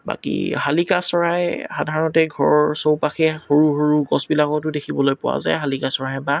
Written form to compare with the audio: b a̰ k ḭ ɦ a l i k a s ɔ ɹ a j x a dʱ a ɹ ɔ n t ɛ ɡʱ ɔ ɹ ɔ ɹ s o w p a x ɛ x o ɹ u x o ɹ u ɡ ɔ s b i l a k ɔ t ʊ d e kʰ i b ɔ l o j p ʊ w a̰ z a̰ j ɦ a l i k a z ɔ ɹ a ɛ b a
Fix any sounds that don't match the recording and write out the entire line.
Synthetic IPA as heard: b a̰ k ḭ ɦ a l i k a s ɔ ɹ a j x a dʱ a ɹ ɔ n t ɛ ɡʱ ɔ ɹ ɔ ɹ s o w p a x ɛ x o ɹ u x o ɹ u ɡ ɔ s b i l a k ɔ t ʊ d e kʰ i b ɔ l o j p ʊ w a̰ z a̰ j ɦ a l i k a s ɔ ɹ a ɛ b a